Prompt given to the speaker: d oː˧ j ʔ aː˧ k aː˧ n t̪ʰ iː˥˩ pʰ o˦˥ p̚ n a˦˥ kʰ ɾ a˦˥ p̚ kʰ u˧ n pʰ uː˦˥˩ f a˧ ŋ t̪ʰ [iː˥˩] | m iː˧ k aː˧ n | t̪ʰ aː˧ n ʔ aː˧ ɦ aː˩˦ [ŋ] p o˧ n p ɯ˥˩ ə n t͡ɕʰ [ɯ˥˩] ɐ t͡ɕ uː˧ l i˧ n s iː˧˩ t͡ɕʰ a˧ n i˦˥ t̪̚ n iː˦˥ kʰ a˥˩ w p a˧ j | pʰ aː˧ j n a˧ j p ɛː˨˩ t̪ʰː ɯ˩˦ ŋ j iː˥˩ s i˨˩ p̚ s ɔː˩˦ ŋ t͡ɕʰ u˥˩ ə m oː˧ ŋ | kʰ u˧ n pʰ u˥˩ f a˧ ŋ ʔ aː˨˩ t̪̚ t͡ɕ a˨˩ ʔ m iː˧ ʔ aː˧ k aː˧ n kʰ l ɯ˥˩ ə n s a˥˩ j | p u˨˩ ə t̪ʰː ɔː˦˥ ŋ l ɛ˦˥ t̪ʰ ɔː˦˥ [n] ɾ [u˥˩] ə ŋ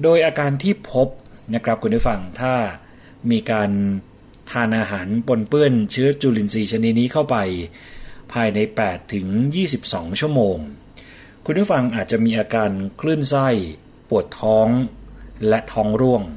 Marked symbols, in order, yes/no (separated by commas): no, no, no, no, yes